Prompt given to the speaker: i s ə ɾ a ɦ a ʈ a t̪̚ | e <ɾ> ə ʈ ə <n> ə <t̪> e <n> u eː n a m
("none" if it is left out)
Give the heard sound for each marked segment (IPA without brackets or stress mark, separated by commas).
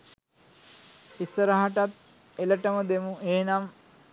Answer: l, m, d̪, m